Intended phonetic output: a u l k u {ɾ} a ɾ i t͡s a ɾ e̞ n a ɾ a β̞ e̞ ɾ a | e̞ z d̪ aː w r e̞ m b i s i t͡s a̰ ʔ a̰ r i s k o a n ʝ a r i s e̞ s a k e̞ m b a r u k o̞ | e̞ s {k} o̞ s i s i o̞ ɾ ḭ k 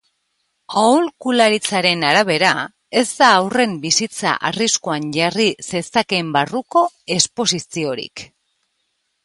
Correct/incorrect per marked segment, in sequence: incorrect: l, incorrect: p

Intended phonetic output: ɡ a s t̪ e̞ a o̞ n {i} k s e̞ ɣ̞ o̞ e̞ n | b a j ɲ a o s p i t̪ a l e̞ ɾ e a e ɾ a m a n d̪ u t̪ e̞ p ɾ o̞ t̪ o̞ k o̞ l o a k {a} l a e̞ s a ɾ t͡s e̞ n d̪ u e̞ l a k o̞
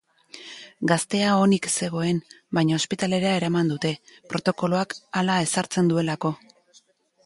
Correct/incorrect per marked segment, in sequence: correct, correct

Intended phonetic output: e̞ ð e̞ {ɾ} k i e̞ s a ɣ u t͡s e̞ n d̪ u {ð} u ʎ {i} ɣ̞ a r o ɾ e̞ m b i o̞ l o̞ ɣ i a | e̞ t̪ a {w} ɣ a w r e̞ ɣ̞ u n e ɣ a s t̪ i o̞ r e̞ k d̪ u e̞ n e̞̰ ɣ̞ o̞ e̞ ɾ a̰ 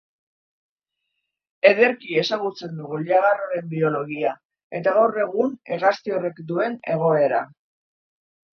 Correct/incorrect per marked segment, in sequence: correct, incorrect: ɣ, incorrect: a, incorrect: none

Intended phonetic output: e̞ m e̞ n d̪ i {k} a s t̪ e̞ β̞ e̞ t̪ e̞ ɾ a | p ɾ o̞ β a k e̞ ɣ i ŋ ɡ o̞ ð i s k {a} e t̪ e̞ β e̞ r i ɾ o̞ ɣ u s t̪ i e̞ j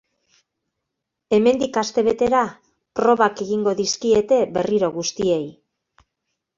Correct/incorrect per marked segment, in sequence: correct, incorrect: i

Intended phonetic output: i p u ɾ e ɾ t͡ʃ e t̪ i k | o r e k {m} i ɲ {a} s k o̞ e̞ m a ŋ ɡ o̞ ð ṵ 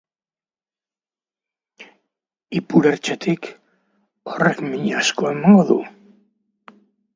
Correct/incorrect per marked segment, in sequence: correct, correct

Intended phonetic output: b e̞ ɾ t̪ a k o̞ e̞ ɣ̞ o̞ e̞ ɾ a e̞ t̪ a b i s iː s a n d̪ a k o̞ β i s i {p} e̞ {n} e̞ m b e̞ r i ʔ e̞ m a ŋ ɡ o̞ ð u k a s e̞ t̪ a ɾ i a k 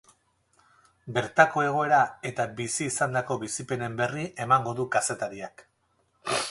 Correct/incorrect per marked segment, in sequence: correct, correct

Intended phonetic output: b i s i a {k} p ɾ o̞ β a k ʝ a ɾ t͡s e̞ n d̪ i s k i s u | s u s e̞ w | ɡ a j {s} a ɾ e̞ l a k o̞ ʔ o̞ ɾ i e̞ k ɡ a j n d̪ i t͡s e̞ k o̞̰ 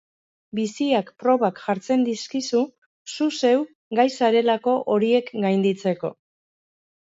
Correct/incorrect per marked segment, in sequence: correct, correct

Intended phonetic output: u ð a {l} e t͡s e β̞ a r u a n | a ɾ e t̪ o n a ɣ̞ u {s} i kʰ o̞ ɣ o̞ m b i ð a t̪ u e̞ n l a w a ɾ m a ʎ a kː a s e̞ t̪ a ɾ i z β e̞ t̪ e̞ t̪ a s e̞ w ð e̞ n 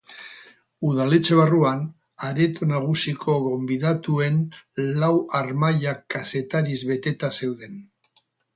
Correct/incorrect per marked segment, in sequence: correct, correct

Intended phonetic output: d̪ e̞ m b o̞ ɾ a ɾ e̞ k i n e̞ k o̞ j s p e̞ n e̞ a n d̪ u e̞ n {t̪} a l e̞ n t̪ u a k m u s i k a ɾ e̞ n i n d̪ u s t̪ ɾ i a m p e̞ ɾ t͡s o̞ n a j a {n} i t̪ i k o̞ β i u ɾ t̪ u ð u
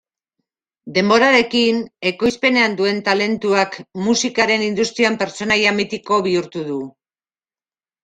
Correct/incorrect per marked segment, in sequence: correct, incorrect: m

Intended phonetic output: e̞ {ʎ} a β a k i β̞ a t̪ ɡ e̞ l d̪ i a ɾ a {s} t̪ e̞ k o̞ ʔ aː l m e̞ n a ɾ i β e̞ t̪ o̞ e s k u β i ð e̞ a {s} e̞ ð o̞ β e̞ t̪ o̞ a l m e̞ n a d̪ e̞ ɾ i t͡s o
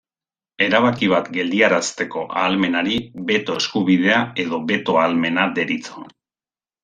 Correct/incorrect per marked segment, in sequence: incorrect: ɾ, correct, incorrect: none

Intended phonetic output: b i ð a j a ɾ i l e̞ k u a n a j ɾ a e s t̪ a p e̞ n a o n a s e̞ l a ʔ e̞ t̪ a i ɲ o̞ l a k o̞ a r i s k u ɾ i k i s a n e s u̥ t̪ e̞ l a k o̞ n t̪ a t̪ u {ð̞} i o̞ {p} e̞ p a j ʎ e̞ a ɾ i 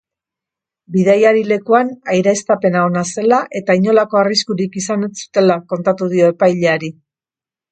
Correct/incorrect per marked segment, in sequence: correct, incorrect: none

